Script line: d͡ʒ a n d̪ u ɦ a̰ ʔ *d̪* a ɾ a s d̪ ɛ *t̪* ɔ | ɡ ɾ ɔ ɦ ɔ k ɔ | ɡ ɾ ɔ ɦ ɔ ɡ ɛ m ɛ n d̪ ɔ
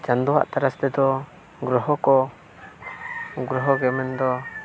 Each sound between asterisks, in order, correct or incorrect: incorrect: t̪, incorrect: d̪

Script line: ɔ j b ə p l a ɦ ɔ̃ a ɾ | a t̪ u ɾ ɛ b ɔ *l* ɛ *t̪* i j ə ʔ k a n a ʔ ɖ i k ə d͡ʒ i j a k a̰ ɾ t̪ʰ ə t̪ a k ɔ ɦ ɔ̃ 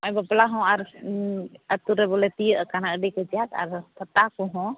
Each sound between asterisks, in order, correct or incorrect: correct, correct

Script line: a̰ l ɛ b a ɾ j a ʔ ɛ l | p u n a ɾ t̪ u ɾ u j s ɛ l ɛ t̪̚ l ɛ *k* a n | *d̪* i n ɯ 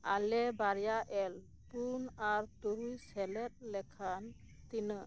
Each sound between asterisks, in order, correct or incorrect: incorrect: kʰ, incorrect: t̪

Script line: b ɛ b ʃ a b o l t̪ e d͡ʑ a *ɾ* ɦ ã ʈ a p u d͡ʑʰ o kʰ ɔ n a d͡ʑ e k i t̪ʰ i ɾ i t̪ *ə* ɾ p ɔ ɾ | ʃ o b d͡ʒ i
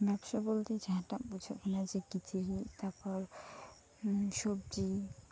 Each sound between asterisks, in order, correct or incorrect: incorrect: none, incorrect: a

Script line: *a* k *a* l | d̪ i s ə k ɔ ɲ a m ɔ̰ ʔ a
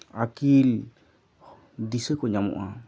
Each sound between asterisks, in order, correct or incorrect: correct, incorrect: i

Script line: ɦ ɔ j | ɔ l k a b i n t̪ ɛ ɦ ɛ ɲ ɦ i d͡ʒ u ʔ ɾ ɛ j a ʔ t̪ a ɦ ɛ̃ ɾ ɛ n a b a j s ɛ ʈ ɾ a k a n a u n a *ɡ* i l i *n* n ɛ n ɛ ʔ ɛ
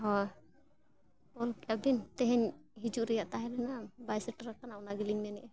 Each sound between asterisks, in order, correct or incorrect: correct, incorrect: ŋ

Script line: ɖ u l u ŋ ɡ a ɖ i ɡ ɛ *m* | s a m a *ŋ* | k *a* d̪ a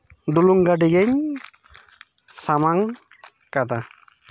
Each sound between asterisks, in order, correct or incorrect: incorrect: ɲ, correct, correct

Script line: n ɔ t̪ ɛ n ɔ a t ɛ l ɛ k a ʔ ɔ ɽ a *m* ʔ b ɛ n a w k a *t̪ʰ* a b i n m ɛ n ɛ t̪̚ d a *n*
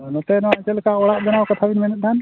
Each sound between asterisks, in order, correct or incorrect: incorrect: none, correct, correct

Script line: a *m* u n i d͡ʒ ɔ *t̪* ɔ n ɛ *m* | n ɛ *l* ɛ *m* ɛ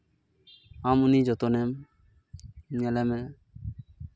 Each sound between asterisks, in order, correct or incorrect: correct, correct, correct, correct, correct

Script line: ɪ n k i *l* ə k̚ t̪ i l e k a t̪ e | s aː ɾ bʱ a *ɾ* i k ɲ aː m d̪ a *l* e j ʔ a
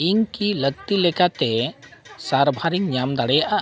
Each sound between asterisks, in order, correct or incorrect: correct, correct, incorrect: ɽ

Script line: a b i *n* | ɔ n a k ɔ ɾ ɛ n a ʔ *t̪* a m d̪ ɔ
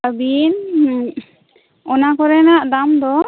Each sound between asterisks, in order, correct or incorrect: correct, incorrect: d̪

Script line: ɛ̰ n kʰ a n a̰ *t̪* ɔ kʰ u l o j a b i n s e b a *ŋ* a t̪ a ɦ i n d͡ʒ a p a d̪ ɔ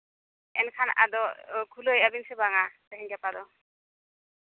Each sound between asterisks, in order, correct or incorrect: incorrect: d̪, correct

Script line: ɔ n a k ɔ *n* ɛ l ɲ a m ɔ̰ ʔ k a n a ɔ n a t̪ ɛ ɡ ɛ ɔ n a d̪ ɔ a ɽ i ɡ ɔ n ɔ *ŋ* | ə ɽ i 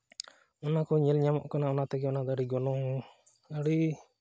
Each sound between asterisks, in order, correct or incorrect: incorrect: ɲ, correct

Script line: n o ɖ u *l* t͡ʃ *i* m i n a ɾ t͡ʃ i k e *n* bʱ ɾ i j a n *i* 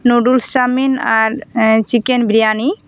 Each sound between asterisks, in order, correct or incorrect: correct, incorrect: a, correct, correct

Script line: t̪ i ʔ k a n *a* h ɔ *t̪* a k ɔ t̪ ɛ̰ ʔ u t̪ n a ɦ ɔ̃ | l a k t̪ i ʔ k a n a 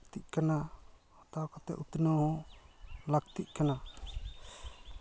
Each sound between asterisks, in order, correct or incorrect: correct, correct

